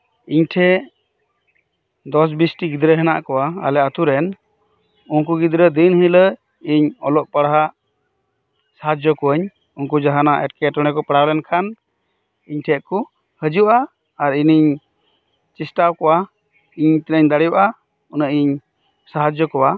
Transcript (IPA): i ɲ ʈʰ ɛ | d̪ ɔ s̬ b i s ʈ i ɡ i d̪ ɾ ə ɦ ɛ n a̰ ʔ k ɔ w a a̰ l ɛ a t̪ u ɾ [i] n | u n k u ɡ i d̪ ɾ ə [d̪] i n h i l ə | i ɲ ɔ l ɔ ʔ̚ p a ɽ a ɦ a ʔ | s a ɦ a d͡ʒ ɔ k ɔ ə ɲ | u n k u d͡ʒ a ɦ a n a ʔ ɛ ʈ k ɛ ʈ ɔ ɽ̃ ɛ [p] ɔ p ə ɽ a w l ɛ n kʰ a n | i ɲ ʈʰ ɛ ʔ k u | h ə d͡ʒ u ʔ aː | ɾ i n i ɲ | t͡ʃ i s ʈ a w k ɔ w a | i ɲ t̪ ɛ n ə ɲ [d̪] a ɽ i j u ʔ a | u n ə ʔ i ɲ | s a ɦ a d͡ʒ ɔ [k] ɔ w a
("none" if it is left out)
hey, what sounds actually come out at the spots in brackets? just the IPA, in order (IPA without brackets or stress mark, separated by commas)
ɛ, d̪, k, d̪, k